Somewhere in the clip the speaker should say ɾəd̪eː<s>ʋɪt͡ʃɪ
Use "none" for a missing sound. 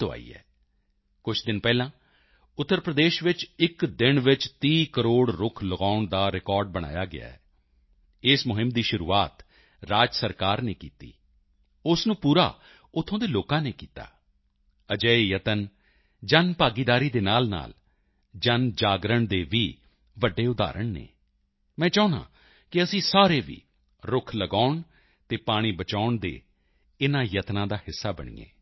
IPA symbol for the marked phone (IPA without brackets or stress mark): ʃ